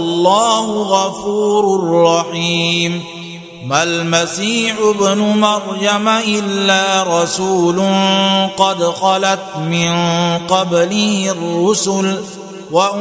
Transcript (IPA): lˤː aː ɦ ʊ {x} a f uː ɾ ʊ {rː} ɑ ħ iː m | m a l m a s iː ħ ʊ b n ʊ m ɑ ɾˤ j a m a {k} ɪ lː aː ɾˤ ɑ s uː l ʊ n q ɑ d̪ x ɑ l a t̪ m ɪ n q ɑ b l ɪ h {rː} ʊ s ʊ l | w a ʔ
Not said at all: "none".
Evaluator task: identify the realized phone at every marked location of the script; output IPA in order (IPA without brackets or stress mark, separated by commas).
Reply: ɣ, rː, ʔ, rː